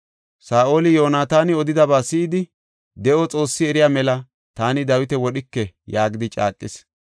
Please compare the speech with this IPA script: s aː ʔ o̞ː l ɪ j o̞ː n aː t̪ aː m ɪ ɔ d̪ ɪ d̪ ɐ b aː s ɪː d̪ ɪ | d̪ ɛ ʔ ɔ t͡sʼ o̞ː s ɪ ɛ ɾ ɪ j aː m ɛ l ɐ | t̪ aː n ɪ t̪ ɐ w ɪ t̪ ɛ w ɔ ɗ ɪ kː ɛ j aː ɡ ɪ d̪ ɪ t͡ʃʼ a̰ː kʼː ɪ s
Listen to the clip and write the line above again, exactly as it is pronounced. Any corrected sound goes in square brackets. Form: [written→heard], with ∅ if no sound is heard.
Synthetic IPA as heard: s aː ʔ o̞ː l ɪ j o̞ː n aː t̪ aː [m→n] ɪ ɔ d̪ ɪ d̪ ɐ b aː s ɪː d̪ ɪ | d̪ ɛ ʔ ɔ t͡sʼ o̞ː [s→sː] ɪ ɛ ɾ ɪ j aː m ɛ l ɐ | t̪ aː n ɪ [t̪→d̪] ɐ w ɪ t̪ ɛ w ɔ ɗ ɪ kː ɛ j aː ɡ ɪ d̪ ɪ t͡ʃʼ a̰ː kʼː ɪ s